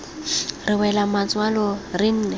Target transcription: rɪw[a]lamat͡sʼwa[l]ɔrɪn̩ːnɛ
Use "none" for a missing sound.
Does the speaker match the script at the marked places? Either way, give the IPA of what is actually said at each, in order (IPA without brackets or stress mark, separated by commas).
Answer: ɛ, l